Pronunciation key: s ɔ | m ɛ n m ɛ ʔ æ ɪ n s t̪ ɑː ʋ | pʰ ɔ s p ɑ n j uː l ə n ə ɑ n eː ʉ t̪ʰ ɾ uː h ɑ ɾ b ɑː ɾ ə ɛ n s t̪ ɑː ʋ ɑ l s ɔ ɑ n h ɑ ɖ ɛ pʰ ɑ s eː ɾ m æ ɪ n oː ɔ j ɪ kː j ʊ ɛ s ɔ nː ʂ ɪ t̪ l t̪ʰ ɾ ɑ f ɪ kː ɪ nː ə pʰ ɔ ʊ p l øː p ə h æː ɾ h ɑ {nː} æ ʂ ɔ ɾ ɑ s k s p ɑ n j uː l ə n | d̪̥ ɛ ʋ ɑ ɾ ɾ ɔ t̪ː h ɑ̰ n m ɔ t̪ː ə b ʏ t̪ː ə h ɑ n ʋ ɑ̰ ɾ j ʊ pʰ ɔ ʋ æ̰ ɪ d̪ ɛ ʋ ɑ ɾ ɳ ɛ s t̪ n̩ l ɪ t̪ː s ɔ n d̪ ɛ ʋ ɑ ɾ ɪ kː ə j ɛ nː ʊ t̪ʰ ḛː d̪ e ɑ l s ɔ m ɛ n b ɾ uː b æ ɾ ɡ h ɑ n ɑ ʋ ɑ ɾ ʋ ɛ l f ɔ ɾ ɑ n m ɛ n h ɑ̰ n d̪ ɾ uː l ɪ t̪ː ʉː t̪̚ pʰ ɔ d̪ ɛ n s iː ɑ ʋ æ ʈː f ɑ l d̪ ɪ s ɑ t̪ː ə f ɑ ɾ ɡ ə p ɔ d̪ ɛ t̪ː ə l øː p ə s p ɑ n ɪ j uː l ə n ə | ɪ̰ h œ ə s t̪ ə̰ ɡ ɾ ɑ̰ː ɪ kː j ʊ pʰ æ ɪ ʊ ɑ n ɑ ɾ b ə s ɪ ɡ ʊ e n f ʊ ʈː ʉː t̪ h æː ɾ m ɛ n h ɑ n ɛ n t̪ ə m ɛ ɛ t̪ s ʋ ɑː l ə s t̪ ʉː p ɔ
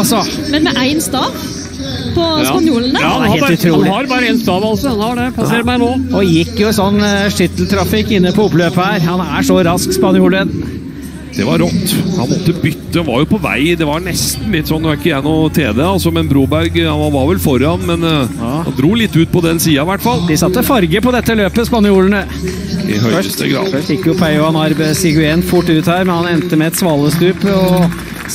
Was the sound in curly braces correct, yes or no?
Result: no